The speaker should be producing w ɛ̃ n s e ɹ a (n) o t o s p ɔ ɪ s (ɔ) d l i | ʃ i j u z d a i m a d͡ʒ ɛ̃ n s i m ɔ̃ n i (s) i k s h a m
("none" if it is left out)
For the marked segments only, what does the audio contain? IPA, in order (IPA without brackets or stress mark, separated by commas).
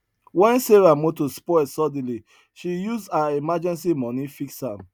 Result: m, ɔ, f